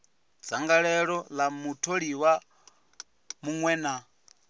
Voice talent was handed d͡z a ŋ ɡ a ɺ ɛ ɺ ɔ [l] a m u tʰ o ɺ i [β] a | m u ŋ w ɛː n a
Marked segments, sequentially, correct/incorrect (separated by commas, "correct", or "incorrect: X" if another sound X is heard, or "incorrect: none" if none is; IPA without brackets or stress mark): correct, incorrect: w